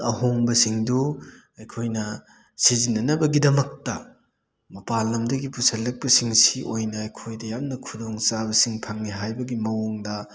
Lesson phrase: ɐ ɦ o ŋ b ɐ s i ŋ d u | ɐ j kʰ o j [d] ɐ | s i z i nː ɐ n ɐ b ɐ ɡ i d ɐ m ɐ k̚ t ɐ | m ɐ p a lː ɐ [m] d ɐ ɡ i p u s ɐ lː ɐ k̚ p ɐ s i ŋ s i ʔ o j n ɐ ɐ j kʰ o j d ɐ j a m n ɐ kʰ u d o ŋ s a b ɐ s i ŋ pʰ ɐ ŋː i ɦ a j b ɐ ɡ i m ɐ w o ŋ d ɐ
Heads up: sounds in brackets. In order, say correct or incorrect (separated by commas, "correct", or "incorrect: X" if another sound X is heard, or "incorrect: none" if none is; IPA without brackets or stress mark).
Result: incorrect: n, correct